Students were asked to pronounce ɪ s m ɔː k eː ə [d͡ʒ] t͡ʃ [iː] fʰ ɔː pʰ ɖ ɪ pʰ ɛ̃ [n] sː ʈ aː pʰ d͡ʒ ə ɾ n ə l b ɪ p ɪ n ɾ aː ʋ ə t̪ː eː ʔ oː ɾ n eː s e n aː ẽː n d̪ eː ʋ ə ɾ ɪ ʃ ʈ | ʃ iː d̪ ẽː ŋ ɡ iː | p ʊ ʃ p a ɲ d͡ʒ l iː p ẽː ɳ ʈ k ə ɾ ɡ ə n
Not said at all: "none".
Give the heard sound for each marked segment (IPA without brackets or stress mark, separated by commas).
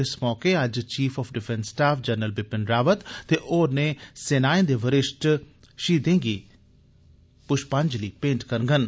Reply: d͡ʒ, iː, n